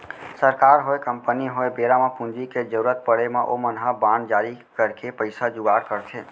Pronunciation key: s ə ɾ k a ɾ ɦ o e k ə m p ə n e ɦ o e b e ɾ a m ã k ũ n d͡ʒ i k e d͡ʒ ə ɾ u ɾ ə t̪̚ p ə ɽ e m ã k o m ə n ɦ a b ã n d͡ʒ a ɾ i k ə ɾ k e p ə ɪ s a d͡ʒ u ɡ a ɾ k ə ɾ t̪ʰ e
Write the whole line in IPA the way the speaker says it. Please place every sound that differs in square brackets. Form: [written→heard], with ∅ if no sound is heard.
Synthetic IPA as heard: s ə ɾ k a ɾ ɦ o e k ə m p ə n [e→i] ɦ o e b e ɾ a m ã [k→p] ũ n d͡ʒ i k e d͡ʒ ə ɾ u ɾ ə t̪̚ p ə ɽ e m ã [k→ʔ] o m ə n ɦ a b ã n d͡ʒ a ɾ i k ə ɾ k e p ə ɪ s a d͡ʒ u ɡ a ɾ k ə ɾ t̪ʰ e